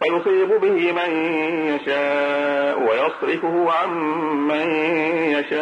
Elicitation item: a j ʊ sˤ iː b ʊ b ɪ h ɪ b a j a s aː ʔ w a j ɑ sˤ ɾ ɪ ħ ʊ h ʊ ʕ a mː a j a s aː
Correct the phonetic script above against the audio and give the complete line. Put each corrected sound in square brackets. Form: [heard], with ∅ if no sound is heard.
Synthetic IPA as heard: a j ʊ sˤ iː b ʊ b ɪ h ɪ [m] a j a [ʃ] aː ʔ w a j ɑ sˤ ɾ ɪ [f] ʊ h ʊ ʕ a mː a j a [ʃ] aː